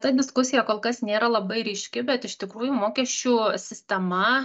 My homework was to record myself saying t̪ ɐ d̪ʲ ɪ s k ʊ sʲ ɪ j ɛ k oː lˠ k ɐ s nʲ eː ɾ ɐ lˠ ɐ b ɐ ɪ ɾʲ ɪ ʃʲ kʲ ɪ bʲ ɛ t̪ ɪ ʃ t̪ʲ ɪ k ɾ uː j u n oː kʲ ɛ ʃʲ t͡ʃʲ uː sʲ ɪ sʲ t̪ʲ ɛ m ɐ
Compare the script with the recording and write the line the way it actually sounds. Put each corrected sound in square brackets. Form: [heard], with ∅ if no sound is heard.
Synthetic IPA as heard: t̪ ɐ d̪ʲ ɪ s k ʊ sʲ ɪ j ɛ k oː lˠ k ɐ s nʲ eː ɾ ɐ lˠ ɐ b ɐ ɪ ɾʲ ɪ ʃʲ kʲ ɪ bʲ ɛ t̪ ɪ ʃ t̪ʲ ɪ k ɾ uː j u [m] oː kʲ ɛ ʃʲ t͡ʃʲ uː sʲ ɪ sʲ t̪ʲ ɛ m ɐ